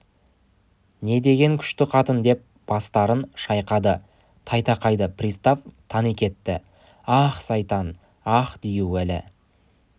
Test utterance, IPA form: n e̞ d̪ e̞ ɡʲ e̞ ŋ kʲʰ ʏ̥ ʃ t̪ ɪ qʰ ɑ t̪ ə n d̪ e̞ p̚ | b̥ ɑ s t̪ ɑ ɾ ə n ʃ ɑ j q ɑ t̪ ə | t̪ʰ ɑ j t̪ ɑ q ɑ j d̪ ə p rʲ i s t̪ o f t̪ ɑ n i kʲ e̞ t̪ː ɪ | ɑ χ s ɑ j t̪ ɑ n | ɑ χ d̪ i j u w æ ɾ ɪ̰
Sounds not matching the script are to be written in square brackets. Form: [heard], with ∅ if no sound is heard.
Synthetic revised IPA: n e̞ d̪ e̞ ɡʲ e̞ ŋ kʲʰ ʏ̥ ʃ t̪ ɪ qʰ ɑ t̪ ə n d̪ e̞ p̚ | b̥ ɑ s t̪ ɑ ɾ ə n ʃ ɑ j q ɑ [d̪] ə | t̪ʰ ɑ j t̪ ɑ q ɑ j d̪ ə p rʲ i s t̪ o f [t̪ʰ] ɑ n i kʲ e̞ t̪ː ɪ | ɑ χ s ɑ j t̪ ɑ n | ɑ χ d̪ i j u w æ [l] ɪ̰

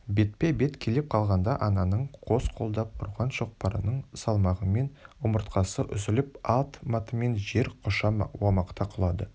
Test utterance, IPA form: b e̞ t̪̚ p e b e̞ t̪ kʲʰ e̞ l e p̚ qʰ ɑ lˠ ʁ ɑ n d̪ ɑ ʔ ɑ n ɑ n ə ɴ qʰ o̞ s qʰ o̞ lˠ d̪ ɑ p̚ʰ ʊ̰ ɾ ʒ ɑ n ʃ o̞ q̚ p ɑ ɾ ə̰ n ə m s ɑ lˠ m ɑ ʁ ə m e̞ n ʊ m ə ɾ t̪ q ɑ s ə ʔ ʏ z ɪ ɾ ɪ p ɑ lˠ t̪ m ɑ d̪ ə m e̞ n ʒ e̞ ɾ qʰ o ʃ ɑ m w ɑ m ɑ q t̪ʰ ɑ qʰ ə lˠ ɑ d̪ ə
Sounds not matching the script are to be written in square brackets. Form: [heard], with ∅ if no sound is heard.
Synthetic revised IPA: b e̞ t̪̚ p e b e̞ t̪ kʲʰ e̞ l e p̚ qʰ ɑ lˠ ʁ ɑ n d̪ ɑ ʔ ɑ n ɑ n ə ɴ qʰ o̞ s qʰ o̞ lˠ d̪ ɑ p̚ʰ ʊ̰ ɾ [ʁ] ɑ n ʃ o̞ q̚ p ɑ ɾ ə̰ n ə [ɴ] s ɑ lˠ m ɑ ʁ ə m e̞ n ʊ m ə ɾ t̪ q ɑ s ə ʔ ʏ z ɪ [l] ɪ p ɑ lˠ t̪ m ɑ [t̪] ə m e̞ n ʒ e̞ ɾ qʰ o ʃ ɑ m w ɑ m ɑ q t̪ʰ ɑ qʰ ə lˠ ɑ d̪ ə

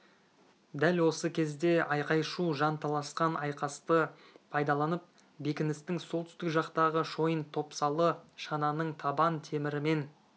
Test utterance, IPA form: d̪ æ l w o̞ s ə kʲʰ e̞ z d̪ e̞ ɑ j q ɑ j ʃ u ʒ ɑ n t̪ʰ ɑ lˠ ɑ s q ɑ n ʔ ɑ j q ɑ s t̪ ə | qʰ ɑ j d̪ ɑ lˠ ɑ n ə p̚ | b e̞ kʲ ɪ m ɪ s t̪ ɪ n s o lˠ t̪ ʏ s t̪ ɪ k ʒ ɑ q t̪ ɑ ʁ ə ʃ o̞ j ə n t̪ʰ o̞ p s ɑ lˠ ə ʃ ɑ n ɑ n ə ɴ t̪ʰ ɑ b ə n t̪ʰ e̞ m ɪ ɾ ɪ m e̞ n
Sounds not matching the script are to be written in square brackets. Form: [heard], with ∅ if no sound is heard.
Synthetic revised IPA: d̪ æ l w o̞ s ə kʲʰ e̞ z d̪ e̞ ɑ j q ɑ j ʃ u ʒ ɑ n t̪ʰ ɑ lˠ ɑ s q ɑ n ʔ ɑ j q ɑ s t̪ ə | [pʰ] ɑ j d̪ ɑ lˠ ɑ n ə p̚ | b e̞ kʲ ɪ [n] ɪ s t̪ ɪ [ŋ] s o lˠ t̪ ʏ s t̪ ɪ k ʒ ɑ q t̪ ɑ ʁ ə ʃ o̞ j ə n t̪ʰ o̞ p s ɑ lˠ ə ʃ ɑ n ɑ n ə ɴ t̪ʰ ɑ b [ɑ] n t̪ʰ e̞ m ɪ ɾ ɪ m e̞ n

